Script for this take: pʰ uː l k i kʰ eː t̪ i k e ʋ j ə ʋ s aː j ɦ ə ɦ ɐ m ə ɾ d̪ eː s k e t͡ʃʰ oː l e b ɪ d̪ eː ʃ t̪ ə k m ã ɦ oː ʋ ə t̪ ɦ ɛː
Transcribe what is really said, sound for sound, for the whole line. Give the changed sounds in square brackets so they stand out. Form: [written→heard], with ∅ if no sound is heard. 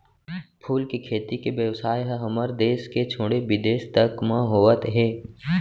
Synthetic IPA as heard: pʰ uː l k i kʰ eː t̪ i k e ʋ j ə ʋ s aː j ɦ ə ɦ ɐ m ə ɾ d̪ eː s k e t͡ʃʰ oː [l→ɽ] e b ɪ d̪ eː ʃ t̪ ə k m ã ɦ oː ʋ ə t̪ ɦ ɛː